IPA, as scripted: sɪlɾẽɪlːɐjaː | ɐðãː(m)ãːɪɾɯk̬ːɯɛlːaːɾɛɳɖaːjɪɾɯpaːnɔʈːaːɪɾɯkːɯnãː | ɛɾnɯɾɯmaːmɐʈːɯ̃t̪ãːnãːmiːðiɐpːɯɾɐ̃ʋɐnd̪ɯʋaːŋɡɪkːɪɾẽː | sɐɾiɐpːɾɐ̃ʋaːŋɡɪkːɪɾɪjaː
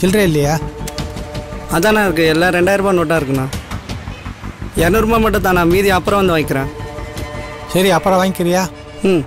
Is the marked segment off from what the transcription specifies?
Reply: yes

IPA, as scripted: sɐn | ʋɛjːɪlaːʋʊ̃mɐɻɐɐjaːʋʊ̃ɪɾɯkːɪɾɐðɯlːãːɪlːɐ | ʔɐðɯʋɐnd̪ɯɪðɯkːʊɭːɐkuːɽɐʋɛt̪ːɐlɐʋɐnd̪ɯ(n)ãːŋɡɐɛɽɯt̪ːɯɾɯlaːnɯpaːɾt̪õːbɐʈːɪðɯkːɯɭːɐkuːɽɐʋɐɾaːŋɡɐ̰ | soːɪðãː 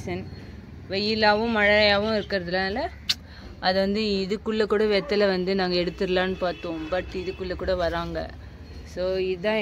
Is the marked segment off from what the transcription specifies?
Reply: no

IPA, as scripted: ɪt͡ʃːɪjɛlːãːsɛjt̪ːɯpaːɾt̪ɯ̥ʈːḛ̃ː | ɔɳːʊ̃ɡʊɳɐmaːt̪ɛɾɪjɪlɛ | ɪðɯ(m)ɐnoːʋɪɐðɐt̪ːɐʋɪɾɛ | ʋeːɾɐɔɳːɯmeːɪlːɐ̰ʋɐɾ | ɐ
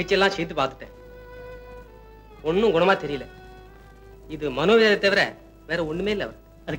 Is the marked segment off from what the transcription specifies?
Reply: no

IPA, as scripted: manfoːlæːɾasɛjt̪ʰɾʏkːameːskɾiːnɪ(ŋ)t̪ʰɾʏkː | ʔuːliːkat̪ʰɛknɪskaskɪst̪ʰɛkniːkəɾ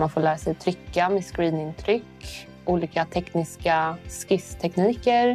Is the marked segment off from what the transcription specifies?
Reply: yes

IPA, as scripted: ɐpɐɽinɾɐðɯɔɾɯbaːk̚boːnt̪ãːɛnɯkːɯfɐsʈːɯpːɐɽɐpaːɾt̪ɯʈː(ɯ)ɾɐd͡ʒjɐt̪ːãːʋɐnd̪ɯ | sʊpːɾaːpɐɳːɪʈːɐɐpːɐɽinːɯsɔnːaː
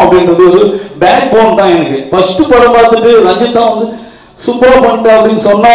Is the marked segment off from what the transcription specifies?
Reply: no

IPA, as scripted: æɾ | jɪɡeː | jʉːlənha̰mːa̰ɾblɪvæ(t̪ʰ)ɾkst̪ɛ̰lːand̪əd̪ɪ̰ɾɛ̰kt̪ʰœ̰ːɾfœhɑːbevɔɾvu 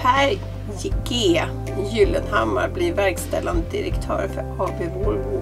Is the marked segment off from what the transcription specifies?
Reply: yes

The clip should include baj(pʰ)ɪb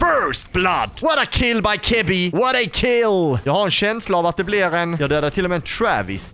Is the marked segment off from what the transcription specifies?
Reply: yes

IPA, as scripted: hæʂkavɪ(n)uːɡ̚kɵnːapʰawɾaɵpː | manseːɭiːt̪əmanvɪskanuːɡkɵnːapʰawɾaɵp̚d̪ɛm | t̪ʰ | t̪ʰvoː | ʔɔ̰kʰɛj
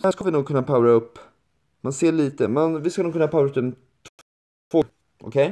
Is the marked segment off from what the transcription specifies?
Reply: no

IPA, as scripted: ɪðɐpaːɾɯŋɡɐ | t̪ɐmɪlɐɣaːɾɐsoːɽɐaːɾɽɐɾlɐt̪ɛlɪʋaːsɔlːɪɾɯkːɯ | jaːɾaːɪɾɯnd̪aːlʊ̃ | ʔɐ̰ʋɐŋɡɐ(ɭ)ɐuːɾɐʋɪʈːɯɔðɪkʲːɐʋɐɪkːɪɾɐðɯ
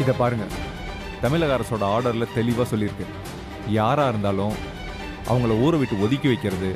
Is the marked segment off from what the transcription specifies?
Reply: no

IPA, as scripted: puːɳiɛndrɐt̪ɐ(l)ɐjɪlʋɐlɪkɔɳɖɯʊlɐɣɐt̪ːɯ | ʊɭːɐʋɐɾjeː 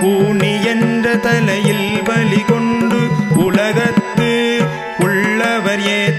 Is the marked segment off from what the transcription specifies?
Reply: no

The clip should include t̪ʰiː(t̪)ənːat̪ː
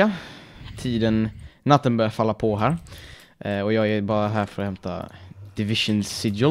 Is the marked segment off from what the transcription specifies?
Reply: yes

